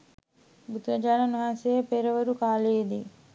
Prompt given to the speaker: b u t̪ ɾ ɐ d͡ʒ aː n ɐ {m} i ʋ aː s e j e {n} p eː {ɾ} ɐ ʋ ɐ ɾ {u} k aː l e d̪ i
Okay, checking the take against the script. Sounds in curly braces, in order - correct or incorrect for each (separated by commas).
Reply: incorrect, incorrect, correct, correct